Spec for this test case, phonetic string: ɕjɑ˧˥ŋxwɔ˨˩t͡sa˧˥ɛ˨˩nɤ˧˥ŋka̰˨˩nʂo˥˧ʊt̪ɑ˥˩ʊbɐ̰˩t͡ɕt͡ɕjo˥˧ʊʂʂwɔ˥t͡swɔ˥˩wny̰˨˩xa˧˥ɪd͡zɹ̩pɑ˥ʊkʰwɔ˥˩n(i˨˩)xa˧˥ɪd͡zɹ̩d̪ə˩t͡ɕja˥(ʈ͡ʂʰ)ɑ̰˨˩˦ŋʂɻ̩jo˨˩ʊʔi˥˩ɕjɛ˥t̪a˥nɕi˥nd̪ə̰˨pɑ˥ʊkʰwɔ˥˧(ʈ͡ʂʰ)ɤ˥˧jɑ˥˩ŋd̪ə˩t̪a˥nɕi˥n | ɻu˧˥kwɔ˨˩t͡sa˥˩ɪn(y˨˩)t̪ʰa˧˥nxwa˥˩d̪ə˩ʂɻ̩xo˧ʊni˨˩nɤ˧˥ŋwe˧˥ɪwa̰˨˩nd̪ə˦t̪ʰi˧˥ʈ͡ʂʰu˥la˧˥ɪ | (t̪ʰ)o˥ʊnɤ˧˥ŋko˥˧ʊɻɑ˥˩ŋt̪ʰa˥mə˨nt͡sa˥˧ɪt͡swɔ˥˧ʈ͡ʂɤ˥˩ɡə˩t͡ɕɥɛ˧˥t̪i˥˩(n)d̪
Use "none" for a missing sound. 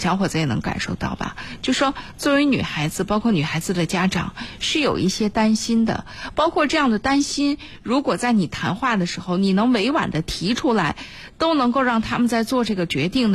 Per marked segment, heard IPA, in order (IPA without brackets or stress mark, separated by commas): y˨˩, ʈ͡ʂ, ʈ͡ʂ, i˨˩, t̪, ŋ